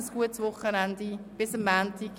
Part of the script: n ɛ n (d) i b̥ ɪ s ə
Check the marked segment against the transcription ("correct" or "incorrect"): correct